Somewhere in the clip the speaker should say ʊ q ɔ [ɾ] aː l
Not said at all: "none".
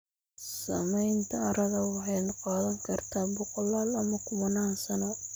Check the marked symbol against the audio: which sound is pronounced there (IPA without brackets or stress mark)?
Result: l